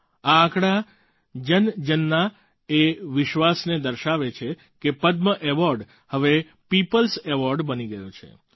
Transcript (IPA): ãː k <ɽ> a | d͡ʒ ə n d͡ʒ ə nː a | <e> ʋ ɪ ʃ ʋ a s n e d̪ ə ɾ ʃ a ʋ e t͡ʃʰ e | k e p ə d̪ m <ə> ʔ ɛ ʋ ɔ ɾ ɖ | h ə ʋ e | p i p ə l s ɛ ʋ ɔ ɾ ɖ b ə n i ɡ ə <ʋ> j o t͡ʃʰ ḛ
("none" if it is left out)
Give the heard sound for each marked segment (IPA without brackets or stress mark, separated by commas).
ɽ, e, ə, none